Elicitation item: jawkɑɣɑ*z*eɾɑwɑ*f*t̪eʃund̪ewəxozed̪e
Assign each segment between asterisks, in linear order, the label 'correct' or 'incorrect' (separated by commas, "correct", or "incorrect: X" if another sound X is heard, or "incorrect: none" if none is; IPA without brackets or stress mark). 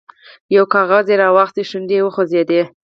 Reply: correct, incorrect: x